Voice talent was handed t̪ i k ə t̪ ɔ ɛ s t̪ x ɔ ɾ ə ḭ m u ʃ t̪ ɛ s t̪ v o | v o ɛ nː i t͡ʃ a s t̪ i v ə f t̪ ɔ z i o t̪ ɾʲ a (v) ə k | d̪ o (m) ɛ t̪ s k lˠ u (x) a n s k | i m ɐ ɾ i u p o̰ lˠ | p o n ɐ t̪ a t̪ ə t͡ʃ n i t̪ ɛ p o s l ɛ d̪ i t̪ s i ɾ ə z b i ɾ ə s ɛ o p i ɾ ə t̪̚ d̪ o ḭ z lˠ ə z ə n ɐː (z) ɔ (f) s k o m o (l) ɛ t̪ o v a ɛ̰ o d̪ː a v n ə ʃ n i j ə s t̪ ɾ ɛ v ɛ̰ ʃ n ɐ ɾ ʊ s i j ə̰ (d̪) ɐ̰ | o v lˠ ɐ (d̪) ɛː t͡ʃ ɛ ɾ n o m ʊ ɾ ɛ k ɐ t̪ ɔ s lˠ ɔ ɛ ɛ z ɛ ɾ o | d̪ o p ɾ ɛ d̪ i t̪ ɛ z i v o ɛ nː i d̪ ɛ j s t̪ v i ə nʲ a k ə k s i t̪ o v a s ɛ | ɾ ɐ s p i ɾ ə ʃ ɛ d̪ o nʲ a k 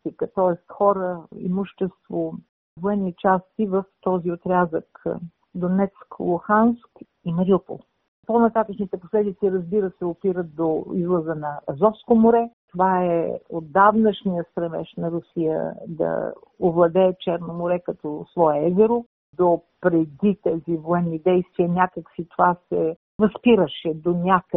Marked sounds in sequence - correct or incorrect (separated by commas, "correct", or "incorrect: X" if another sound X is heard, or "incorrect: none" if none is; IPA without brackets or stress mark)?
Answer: incorrect: z, incorrect: n, correct, correct, correct, incorrect: ɾ, correct, correct